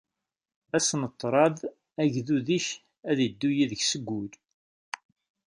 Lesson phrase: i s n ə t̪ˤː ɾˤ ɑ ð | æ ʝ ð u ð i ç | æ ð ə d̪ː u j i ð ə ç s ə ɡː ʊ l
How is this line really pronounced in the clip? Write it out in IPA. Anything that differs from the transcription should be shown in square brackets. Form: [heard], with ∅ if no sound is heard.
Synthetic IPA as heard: [æ] s n ə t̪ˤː ɾˤ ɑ ð | æ ʝ ð u ð i ç | æ ð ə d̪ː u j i ð ə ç s ə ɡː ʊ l